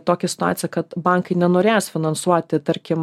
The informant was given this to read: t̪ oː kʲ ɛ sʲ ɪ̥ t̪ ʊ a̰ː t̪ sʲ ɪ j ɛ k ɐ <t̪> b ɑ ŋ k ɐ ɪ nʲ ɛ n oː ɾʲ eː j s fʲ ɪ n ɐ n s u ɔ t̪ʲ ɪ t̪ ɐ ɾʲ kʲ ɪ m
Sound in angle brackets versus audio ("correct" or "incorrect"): correct